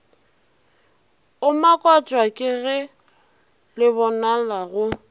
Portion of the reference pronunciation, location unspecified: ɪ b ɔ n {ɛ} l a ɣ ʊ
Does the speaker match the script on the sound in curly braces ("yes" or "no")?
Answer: no